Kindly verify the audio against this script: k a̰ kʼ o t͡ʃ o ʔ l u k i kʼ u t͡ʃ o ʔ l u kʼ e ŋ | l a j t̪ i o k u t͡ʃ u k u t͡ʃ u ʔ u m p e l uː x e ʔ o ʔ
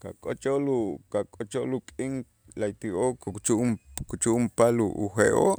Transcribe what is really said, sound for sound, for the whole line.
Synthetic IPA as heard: k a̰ kʼ o t͡ʃ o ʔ l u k a kʼ o t͡ʃ o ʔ l u kʼ i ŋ | l a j t̪ i o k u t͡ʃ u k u t͡ʃ u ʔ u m p a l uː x e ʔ o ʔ